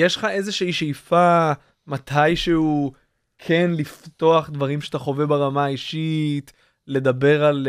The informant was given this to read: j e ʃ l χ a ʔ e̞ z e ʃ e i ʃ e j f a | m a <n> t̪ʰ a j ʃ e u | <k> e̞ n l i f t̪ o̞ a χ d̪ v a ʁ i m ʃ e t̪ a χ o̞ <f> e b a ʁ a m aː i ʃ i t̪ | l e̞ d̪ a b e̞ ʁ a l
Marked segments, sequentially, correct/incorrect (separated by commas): incorrect, incorrect, incorrect